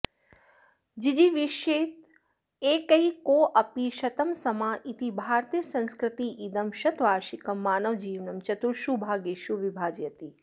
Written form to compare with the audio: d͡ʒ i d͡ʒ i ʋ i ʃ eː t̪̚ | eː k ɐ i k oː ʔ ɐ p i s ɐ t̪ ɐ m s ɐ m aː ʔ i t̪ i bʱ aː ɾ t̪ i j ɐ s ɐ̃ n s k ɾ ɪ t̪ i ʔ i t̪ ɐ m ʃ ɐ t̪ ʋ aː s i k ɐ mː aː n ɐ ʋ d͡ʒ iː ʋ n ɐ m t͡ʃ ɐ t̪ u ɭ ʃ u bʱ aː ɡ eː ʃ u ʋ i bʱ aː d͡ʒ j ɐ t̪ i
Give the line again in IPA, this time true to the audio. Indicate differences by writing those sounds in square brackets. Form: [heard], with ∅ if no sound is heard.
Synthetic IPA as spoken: d͡ʒ i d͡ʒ i ʋ i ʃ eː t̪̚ | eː k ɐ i k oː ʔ ɐ p i [ʃ] ɐ t̪ ɐ m s ɐ m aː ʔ i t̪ i bʱ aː ɾ t̪ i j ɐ s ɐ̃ n s k ɾ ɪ t̪ i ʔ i [d̪] ɐ m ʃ ɐ t̪ ʋ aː [ʃ] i k ɐ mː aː n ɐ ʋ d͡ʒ iː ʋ n ɐ m t͡ʃ ɐ t̪ u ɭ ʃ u bʱ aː ɡ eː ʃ u ʋ i bʱ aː d͡ʒ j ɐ t̪ i